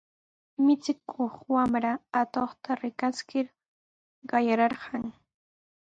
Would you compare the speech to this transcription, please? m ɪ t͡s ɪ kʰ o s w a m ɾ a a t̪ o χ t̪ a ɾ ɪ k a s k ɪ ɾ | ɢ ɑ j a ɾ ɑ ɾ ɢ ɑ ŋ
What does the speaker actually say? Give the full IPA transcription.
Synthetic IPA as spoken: m ɪ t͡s ɪ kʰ o χ w a m ɾ a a t̪ o χ t̪ a ɾ ɪ k a s k ɪ ɾ | ɢ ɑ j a ɾ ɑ ɾ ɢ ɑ ŋ